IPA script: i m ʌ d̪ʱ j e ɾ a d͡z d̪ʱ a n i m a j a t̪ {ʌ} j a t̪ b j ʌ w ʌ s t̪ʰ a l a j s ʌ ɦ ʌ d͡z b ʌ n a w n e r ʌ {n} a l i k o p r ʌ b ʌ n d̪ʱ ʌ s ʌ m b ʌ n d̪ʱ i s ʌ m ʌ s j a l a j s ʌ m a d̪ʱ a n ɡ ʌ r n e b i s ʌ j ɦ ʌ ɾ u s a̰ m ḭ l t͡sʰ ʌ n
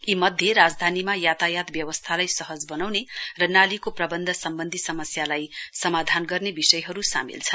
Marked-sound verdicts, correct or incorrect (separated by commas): incorrect, correct